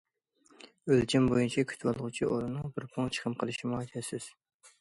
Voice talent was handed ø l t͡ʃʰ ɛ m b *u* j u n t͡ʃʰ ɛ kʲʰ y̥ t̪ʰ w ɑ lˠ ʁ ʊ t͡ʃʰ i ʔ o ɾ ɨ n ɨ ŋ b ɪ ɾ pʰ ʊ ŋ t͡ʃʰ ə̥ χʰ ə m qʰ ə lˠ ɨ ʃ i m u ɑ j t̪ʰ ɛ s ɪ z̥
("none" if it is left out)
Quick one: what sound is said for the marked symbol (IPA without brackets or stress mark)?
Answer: o